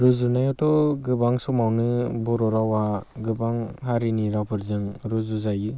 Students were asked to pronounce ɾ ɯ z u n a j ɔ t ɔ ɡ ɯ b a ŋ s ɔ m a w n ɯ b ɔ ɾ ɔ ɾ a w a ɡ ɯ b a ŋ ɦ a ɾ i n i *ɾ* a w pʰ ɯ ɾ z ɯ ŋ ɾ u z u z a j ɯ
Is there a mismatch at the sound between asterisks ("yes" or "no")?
no